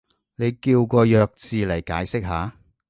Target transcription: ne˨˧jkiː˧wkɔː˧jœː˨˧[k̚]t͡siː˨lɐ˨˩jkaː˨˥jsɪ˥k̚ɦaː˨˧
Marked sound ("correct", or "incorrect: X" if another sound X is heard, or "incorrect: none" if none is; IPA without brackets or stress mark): correct